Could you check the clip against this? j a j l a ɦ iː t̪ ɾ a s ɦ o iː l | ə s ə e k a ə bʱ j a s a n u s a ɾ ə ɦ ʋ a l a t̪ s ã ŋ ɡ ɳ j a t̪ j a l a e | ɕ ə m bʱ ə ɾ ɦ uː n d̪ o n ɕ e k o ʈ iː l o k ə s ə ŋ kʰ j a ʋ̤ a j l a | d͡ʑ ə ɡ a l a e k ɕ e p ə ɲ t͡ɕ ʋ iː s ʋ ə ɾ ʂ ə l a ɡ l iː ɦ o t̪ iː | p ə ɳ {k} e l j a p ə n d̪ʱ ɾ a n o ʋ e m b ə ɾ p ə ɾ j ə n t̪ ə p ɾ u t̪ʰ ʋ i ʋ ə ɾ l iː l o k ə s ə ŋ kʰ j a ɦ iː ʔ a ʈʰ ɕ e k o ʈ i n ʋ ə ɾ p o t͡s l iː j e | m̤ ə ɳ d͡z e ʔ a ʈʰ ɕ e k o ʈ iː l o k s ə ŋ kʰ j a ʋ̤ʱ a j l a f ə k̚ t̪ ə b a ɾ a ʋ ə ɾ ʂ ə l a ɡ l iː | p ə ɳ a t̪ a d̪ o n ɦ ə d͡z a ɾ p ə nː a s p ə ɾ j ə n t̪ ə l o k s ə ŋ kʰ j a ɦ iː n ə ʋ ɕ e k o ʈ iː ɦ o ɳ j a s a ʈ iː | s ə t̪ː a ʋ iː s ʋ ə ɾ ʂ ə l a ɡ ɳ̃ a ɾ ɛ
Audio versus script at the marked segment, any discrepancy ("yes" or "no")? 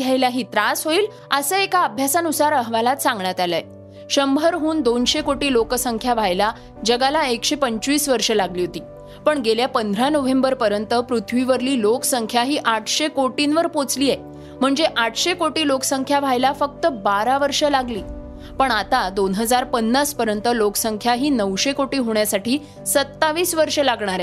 yes